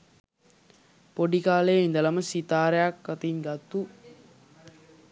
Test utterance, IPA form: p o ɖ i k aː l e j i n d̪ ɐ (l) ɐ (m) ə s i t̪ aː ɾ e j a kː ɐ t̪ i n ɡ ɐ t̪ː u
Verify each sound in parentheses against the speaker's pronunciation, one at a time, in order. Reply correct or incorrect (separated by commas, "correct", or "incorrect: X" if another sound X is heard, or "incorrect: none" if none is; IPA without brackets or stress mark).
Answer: correct, correct